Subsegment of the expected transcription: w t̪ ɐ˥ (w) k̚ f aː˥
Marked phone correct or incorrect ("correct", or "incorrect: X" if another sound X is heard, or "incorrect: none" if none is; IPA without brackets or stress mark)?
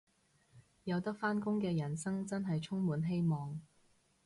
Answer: incorrect: none